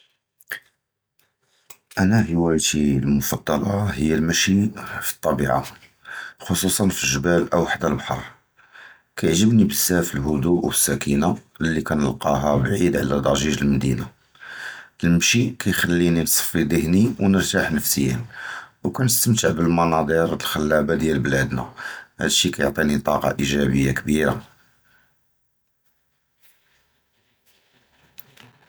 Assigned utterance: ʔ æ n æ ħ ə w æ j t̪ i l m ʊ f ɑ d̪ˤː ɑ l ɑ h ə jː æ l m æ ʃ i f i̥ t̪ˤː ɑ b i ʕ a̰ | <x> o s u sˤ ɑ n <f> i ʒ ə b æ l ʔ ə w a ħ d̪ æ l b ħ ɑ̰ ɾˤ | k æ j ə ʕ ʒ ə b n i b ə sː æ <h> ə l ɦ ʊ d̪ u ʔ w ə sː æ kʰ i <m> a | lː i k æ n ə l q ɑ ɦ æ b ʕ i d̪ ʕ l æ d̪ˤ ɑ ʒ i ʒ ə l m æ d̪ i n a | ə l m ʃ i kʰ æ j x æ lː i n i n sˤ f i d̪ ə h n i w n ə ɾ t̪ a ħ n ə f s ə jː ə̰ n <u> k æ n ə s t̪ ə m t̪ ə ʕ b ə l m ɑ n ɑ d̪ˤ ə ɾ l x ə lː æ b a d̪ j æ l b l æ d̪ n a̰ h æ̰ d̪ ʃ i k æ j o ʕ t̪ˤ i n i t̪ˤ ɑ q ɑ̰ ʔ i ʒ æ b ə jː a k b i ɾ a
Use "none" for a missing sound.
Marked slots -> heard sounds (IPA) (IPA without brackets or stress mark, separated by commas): x, f, f, n, w